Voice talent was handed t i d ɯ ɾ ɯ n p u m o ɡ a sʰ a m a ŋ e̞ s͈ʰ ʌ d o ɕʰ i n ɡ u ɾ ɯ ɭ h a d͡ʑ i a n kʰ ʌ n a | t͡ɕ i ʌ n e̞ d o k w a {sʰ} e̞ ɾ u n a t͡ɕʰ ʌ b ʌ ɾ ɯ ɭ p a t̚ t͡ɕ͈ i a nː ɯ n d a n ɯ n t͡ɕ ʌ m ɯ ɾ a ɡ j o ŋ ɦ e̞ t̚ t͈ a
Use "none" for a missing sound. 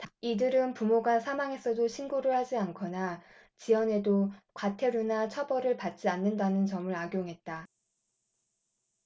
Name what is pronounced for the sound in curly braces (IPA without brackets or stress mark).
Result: tʰ